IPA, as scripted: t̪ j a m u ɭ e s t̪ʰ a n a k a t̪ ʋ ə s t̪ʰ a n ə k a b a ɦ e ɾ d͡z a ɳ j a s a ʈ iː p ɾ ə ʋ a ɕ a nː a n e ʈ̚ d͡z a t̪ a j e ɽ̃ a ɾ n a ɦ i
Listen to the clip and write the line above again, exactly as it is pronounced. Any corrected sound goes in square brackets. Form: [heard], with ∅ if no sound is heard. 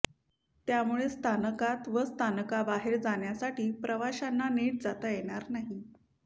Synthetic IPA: t̪ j a m u ɭ e s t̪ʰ a n [ə] k a t̪ ʋ ə s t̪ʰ a n ə k a b a ɦ e ɾ d͡z a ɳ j a s a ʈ iː p ɾ ə ʋ a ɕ a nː a n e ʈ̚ d͡z a t̪ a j e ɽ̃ a ɾ n a ɦ i